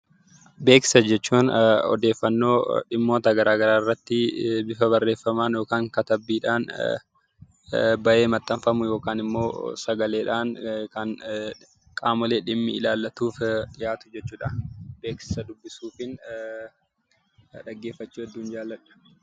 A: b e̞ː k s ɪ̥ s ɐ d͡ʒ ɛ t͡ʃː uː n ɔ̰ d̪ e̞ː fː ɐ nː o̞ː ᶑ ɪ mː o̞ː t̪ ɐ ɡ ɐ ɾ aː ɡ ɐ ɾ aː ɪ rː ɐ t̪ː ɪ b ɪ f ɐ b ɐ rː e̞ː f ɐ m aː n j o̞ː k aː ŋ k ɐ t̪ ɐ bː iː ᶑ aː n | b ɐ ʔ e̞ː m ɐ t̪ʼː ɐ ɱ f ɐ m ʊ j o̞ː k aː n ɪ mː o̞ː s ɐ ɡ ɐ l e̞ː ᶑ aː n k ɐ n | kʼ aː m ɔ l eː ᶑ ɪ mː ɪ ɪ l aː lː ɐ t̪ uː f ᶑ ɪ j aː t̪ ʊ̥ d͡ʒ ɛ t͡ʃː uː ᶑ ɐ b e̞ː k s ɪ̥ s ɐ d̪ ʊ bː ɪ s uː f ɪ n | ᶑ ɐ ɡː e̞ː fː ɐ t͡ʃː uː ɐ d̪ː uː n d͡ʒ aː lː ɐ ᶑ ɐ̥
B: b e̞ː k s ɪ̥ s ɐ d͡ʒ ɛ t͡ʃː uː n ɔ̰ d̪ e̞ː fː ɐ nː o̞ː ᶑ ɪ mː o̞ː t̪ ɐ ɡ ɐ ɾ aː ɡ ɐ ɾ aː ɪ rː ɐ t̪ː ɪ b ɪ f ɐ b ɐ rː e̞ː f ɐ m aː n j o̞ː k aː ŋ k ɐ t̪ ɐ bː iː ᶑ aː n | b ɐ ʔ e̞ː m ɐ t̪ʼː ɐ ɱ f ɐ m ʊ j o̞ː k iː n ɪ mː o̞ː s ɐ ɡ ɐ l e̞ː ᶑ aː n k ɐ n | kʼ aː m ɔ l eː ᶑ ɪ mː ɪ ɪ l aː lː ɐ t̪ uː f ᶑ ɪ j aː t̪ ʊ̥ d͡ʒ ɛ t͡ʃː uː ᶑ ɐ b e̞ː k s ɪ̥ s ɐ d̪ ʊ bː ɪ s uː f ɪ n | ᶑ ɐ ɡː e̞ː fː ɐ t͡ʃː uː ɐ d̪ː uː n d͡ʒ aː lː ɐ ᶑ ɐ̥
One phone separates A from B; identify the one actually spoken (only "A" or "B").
A